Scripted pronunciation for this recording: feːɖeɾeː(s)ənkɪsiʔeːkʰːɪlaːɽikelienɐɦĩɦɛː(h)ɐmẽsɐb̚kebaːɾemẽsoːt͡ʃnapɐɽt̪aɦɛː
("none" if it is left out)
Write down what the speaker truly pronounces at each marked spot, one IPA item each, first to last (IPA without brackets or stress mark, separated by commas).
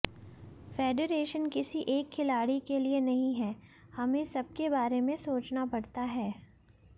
ʃ, h